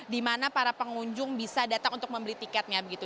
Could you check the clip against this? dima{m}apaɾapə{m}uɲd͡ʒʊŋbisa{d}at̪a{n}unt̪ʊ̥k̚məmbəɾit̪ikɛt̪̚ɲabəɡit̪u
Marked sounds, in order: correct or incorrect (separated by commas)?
incorrect, incorrect, correct, incorrect